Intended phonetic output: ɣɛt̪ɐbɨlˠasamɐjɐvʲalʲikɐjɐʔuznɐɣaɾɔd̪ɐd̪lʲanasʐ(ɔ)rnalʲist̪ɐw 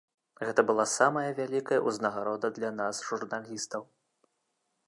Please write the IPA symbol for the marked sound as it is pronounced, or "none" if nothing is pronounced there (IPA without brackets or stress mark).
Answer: u